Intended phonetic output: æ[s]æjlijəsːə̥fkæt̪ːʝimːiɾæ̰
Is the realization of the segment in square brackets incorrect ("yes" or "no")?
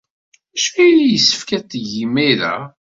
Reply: yes